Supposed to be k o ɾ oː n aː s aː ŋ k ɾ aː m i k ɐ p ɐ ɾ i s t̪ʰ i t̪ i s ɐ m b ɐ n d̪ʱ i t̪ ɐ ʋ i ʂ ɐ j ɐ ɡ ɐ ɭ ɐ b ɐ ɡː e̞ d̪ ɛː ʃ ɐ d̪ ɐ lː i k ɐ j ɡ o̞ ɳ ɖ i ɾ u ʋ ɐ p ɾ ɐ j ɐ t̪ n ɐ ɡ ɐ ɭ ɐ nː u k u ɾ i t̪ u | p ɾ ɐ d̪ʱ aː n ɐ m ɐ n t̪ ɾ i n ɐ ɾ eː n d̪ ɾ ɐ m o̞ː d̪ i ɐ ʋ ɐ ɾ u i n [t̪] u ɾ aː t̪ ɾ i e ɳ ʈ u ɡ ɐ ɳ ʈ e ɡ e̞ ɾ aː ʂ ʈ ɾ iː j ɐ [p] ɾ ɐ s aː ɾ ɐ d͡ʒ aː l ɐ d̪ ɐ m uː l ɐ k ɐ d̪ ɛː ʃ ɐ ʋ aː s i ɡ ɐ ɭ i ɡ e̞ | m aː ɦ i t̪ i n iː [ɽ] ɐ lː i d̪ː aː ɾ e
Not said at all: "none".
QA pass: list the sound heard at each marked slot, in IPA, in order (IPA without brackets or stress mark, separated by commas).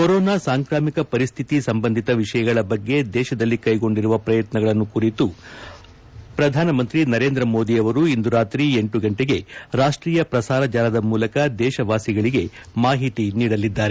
d̪, p, ɽ